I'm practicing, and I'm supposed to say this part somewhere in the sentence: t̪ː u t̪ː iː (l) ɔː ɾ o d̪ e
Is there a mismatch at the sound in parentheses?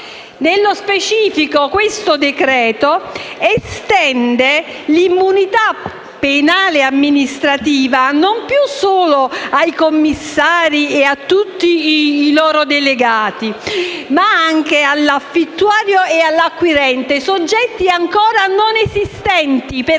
no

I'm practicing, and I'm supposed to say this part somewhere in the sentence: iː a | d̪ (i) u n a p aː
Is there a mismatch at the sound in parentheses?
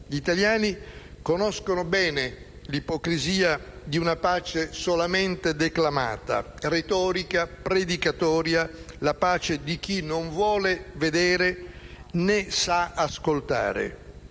no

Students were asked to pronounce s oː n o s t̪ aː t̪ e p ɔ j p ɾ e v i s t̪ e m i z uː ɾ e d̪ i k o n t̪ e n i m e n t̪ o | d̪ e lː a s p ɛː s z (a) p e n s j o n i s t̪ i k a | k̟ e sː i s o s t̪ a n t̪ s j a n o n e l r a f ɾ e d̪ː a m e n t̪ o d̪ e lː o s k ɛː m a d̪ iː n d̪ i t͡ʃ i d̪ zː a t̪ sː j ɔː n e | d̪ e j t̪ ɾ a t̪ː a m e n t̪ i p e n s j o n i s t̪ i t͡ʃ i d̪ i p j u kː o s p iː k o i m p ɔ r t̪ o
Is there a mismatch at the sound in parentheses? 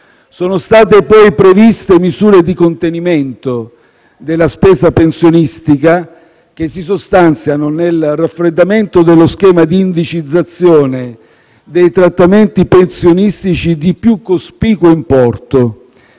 no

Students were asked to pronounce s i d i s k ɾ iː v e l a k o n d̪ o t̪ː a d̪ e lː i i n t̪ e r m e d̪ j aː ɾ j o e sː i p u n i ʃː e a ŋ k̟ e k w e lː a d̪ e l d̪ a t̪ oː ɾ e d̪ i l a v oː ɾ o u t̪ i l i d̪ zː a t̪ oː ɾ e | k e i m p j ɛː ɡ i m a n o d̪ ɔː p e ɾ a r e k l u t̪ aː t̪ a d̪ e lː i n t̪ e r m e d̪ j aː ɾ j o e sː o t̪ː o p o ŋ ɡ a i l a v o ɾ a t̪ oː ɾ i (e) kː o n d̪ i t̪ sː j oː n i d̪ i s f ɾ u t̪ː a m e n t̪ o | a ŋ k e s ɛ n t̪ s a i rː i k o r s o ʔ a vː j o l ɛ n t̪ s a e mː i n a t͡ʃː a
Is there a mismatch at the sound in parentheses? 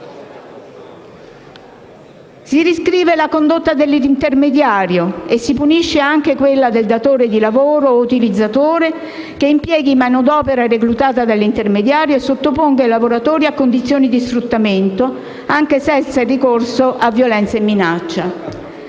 yes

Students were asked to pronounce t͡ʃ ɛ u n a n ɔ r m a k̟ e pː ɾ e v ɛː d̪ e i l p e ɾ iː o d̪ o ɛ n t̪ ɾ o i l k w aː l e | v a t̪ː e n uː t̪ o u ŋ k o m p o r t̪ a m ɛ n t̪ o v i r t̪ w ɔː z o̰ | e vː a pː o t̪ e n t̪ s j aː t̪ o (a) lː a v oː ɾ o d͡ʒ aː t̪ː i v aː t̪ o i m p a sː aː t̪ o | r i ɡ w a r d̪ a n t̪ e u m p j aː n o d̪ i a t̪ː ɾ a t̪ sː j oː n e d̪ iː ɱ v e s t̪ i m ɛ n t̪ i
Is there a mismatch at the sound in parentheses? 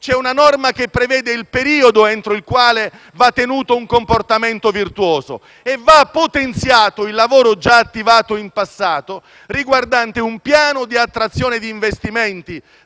yes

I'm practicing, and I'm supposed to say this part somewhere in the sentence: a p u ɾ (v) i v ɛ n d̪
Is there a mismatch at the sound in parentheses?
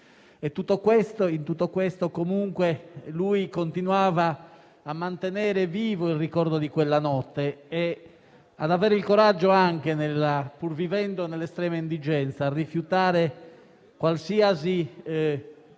no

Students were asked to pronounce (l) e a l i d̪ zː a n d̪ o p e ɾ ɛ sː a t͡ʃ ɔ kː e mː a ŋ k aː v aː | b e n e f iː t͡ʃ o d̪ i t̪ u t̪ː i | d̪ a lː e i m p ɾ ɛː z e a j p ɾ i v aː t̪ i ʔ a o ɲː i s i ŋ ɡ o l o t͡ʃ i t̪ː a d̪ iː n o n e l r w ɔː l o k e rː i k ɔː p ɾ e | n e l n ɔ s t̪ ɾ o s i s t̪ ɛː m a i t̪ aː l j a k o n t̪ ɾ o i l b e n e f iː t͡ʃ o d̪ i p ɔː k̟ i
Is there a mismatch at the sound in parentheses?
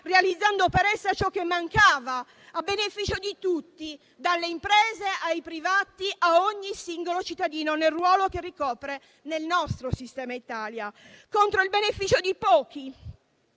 yes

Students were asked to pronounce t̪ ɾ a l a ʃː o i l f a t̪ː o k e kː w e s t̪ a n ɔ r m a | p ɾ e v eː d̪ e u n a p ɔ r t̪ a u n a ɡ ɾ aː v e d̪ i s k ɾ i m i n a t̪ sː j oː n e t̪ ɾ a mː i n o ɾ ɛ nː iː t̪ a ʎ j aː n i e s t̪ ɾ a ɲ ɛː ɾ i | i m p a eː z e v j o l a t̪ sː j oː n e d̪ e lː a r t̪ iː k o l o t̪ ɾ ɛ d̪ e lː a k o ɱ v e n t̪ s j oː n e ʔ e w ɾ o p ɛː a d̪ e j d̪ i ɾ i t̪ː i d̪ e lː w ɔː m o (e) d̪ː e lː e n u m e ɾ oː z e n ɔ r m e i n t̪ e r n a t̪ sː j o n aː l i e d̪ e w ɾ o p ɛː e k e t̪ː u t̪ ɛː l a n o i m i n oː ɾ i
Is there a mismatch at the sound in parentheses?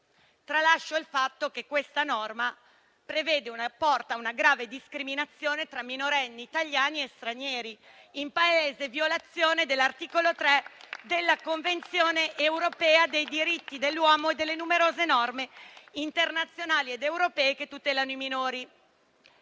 no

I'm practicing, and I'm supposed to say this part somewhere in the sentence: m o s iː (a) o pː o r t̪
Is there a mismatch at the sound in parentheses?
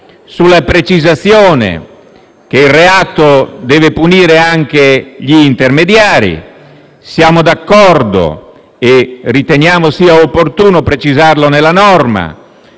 no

